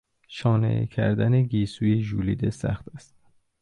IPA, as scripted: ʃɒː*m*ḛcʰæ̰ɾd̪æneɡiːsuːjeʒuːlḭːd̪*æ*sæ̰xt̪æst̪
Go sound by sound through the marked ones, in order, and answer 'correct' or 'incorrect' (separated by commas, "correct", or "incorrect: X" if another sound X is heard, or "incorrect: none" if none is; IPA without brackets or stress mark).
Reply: incorrect: n, incorrect: e